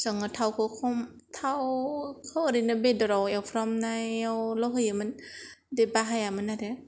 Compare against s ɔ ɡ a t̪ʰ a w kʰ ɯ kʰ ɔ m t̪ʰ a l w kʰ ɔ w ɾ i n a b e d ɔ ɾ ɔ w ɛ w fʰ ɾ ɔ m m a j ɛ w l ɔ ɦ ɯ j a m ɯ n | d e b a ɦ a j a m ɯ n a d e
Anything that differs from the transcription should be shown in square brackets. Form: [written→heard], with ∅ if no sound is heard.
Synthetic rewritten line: s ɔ [ɡ→ŋ] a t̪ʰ a w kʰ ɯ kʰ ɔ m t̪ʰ a [l→∅] w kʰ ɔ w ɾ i n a b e d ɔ ɾ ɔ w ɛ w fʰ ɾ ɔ m [m→n] a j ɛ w l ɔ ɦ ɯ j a m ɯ n | d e b a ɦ a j a m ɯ n a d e